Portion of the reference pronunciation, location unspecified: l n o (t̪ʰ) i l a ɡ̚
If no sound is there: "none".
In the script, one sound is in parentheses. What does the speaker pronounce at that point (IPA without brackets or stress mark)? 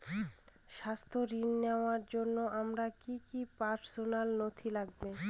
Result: t̪ʰ